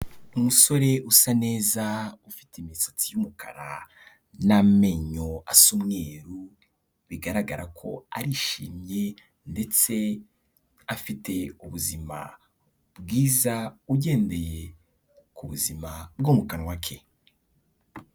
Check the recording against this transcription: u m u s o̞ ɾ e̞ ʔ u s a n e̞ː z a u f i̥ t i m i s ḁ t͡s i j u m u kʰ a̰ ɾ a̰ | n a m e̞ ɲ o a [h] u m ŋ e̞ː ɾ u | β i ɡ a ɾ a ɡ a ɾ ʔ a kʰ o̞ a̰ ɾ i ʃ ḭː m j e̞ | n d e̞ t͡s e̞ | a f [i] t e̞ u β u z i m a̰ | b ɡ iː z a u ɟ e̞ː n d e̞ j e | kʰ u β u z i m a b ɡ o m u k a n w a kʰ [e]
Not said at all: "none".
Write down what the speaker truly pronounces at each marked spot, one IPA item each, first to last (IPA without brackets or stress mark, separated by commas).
s, i, e